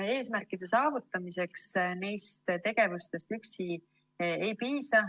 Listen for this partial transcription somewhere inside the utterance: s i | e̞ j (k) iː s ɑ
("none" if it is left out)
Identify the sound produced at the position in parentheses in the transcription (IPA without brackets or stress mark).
p